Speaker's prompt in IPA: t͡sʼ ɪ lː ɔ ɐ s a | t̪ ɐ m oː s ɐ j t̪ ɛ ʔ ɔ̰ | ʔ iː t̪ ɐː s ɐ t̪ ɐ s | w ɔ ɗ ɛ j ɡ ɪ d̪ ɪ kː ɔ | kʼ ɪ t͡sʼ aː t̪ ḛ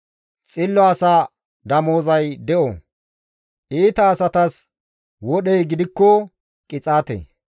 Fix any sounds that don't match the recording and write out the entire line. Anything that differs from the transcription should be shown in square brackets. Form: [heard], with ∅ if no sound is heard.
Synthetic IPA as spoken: t͡sʼ ɪ lː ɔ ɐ s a | [d̪] ɐ m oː [z] ɐ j [d̪] ɛ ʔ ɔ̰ | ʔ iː t̪ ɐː s ɐ t̪ ɐ s | w ɔ ɗ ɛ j ɡ ɪ d̪ ɪ kː ɔ | kʼ ɪ t͡sʼ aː t̪ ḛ